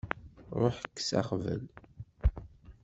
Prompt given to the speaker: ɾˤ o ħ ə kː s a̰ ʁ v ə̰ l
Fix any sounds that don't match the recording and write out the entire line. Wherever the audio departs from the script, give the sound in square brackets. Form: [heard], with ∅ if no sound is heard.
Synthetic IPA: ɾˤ o ħ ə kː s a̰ [χ] v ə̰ l